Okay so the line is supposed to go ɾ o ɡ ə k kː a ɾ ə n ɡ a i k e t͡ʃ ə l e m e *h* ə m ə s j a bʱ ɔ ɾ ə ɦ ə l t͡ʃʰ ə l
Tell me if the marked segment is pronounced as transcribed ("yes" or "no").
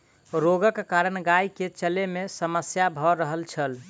no